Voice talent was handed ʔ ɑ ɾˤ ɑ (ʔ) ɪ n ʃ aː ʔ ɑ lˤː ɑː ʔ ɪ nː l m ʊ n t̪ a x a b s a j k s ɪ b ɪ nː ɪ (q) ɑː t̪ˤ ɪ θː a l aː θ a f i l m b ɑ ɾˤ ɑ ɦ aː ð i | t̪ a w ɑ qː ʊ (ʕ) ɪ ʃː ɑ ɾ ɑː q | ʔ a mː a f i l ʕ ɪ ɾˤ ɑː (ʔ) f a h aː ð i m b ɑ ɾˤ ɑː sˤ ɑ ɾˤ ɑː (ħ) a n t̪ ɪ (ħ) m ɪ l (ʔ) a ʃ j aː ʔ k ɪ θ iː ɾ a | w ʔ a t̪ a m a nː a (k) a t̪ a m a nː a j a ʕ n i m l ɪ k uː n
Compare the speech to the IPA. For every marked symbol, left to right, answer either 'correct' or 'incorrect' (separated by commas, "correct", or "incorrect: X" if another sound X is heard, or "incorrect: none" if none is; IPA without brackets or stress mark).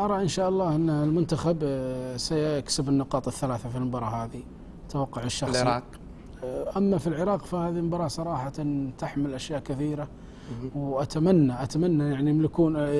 correct, correct, correct, incorrect: q, correct, correct, correct, incorrect: ʔ